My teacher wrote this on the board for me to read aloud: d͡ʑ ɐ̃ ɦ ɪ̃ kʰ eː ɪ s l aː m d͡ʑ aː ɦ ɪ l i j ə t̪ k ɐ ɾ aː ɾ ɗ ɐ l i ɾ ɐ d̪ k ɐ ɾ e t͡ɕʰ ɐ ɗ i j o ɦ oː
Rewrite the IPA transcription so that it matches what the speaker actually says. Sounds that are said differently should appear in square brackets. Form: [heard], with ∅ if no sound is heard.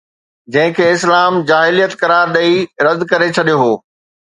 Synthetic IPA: d͡ʑ ɐ̃ ɦ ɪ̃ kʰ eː ɪ s l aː m d͡ʑ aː ɦ ɪ l i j ə t̪ k ɐ ɾ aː ɾ ɗ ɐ [∅] i ɾ ɐ d̪ k ɐ ɾ e t͡ɕʰ ɐ ɗ i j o ɦ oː